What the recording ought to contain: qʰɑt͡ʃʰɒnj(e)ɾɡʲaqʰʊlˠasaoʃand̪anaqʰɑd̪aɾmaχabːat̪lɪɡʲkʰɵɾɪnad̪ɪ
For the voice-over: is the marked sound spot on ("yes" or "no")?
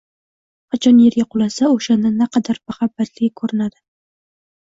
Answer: yes